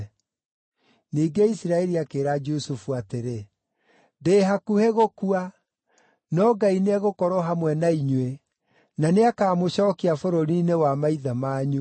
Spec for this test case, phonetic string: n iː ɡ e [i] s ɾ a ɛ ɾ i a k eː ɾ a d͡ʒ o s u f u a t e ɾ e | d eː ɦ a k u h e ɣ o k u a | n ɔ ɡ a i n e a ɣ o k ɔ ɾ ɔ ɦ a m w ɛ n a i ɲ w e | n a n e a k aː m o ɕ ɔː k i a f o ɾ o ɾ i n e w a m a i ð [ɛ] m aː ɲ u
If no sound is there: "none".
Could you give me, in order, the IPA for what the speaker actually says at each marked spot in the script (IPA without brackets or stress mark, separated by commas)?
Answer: i, a